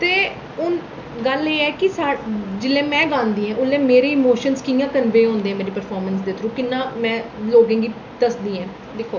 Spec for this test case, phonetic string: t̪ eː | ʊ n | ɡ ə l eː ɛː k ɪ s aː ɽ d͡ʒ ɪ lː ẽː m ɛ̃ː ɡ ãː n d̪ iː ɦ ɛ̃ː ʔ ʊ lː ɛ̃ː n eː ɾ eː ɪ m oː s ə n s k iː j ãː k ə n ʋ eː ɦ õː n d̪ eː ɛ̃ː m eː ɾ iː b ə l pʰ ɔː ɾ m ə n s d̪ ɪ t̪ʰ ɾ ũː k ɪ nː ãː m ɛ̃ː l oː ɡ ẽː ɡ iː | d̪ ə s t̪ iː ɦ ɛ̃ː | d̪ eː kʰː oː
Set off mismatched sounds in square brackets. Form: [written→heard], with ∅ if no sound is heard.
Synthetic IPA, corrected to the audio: t̪ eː | ʊ n | ɡ ə l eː ɛː k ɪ s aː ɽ d͡ʒ ɪ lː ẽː m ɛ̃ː ɡ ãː n d̪ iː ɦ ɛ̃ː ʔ ʊ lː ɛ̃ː [n→m] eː ɾ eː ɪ m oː [s→ʃ] ə n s k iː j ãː k ə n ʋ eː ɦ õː n d̪ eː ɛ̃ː m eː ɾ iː [b→p] ə [l→ɾ] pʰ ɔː ɾ m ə n s d̪ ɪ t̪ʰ ɾ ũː k ɪ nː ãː m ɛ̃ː l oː ɡ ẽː ɡ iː | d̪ ə s [t̪→d̪] iː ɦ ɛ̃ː | d̪ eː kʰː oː